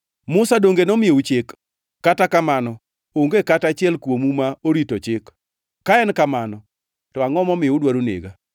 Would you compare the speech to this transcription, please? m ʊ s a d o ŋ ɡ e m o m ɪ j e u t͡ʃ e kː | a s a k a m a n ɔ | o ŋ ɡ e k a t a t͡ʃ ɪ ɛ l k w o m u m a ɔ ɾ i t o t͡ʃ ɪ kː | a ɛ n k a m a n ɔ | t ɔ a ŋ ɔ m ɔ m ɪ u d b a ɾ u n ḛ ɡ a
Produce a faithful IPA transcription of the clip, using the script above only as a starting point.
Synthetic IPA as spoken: m ʊ s a d o ŋ ɡ e n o m ɪ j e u t͡ʃ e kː | a t a k a m a n ɔ | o ŋ ɡ e k a t a t͡ʃ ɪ ɛ l k w o m u m a o ɾ i t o t͡ʃ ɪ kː | a ɛ n k a m a n ɔ | t ɔ a ŋ ɔ m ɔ m ɪ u d w a ɾ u n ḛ ɡ a